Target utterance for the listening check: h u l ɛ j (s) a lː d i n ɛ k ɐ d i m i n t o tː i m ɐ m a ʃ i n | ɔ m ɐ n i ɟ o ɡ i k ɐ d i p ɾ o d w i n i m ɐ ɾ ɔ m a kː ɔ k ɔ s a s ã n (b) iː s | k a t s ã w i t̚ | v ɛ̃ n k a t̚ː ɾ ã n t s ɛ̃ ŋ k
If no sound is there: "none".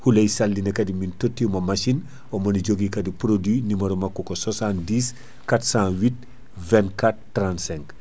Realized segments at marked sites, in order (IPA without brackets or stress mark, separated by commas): s, d